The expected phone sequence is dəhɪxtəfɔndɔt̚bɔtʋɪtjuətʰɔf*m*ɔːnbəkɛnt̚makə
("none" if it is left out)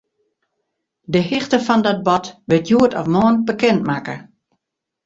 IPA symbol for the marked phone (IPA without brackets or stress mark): m